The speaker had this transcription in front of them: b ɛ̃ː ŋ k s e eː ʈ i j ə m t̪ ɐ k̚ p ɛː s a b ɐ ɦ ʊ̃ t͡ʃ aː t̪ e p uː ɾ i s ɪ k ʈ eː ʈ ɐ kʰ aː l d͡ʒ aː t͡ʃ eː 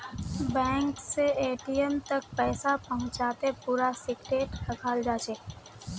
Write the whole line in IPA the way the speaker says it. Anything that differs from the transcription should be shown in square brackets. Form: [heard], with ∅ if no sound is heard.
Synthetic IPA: b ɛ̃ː ŋ k s e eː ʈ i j ə m t̪ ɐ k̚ p ɛː s a [p] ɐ ɦ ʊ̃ t͡ʃ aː t̪ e p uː ɾ [a] s ɪ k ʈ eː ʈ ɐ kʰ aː l d͡ʒ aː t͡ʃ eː